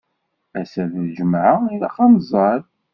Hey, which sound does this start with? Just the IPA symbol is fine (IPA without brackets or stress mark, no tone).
æ